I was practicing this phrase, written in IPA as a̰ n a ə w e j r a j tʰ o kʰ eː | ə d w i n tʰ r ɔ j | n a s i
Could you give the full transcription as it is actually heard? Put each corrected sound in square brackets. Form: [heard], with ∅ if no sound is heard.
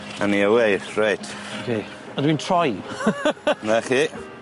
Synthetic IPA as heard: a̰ n [i] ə w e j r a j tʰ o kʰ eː | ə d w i n tʰ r ɔ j | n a [χ] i

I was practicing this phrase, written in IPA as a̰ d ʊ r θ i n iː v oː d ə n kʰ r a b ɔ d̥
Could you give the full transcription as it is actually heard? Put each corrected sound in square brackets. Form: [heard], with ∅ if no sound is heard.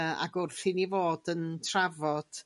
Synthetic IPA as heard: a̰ [ɡ] ʊ r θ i n [i] v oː d ə n [tʰ] r a [v] ɔ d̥

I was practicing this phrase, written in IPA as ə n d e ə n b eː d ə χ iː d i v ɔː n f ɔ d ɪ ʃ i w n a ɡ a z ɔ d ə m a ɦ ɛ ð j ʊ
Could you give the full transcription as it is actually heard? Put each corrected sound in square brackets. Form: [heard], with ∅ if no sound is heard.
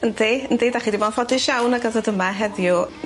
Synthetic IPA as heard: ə n d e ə n [d] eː d [a] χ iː d i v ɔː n f ɔ d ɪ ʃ [a] w n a ɡ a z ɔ d ə m a ɦ ɛ ð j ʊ

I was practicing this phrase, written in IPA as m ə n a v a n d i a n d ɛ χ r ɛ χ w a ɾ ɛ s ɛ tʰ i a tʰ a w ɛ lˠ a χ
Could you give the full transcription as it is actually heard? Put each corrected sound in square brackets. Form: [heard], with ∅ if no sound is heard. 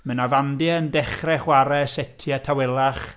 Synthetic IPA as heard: m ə n a v a n d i [ə] n d ɛ χ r ɛ χ w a ɾ ɛ s ɛ tʰ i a tʰ a w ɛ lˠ a χ

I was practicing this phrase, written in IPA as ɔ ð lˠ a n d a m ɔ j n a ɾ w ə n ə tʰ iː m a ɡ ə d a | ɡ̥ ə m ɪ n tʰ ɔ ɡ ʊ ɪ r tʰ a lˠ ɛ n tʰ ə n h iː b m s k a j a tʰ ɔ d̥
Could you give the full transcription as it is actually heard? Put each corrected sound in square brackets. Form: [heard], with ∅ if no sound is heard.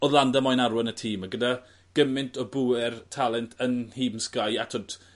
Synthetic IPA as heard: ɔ ð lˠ a n d a m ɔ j n a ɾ w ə n ə tʰ iː m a ɡ ə d a | ɡ̥ ə m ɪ n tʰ ɔ [b] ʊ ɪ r tʰ a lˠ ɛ n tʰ ə n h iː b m s k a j a tʰ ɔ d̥

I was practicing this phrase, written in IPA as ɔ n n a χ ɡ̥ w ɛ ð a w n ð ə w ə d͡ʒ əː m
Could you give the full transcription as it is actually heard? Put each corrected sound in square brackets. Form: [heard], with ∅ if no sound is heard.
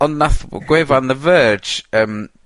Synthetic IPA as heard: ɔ n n a [θ] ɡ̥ w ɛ [v] a [∅] n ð ə [v] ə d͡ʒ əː m

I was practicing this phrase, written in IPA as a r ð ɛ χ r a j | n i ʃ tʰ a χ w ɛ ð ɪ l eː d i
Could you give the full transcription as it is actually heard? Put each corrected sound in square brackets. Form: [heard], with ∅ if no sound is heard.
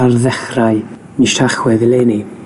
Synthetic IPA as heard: a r ð ɛ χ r a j | n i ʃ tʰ a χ w ɛ ð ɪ l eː [n] i

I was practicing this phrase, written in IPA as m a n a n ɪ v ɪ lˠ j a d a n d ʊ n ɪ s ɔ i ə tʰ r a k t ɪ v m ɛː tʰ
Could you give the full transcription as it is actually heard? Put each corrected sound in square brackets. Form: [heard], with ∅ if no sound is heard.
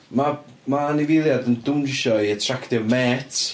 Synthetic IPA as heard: m a [m] a n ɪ v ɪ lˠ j a d [ə] n d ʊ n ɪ [ʃ] ɔ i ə tʰ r a k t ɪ v m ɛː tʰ

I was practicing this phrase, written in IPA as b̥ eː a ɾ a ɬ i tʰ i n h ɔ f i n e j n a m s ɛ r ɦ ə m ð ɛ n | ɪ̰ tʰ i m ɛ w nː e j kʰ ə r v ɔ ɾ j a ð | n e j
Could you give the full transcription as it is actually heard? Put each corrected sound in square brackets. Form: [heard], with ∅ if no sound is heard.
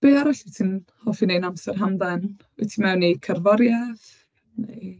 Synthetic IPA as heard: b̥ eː a ɾ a ɬ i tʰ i n h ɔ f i n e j n a m s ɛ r ɦ [a] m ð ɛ n | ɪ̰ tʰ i m ɛ w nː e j kʰ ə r v ɔ ɾ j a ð | n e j

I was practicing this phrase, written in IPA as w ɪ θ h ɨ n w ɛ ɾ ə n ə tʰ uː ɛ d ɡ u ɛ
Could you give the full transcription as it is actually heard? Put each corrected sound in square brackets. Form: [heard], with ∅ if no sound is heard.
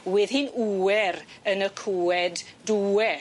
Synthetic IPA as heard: w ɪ [ð] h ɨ n [u] ɛ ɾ ə n ə [kʰ] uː ɛ d [d] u ɛ

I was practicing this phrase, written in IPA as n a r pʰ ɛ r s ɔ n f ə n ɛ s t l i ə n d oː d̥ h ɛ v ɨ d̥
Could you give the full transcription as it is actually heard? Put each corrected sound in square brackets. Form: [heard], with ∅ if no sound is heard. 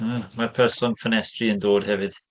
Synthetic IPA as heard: [m] a r pʰ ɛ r s ɔ n f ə n ɛ s t [r] i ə n d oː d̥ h ɛ v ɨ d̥

